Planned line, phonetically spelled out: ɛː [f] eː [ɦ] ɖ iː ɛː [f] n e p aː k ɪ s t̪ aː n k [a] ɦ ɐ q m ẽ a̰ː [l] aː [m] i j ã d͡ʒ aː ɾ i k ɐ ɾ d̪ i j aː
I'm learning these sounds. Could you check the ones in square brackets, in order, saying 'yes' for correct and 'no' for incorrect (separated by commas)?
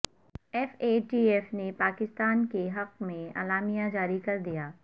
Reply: yes, no, yes, no, yes, yes